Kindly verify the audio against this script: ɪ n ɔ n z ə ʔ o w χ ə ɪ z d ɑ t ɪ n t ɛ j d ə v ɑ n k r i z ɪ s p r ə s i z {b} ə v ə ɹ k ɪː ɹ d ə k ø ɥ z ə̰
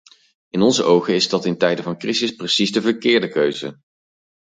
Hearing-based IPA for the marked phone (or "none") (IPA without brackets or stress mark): d